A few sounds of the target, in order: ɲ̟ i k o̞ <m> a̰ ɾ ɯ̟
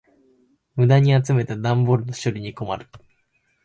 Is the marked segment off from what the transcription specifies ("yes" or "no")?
no